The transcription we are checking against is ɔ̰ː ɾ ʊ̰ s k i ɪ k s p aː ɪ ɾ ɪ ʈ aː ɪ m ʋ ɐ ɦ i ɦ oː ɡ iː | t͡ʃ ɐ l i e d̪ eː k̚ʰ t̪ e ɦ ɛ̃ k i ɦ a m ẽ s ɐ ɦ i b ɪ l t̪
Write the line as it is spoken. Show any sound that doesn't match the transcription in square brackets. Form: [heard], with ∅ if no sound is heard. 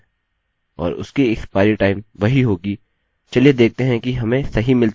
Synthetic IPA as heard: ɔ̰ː ɾ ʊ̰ s k i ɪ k s p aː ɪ ɾ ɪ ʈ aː ɪ m ʋ ɐ ɦ i ɦ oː ɡ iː | t͡ʃ ɐ l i e d̪ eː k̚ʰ t̪ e ɦ ɛ̃ k i ɦ [ɐ] m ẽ s ɐ ɦ i [m] ɪ l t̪